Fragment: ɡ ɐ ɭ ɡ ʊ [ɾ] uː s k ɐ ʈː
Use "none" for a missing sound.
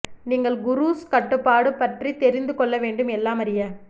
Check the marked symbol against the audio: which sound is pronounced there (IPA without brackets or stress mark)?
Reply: ɾ